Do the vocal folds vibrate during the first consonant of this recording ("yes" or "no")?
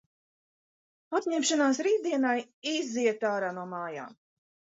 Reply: no